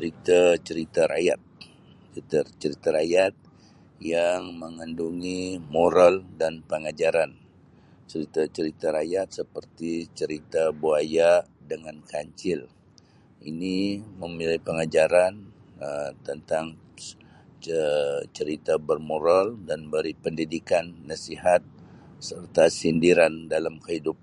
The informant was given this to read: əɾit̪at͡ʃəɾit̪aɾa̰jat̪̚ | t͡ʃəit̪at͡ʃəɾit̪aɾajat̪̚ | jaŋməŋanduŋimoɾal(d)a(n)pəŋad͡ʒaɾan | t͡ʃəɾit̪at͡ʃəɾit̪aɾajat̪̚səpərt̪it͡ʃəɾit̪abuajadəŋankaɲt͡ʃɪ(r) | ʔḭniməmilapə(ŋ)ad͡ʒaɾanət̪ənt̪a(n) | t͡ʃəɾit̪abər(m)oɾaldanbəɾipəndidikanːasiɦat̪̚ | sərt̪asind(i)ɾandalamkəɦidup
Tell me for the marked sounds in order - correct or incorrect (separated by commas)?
correct, correct, incorrect, correct, incorrect, correct, correct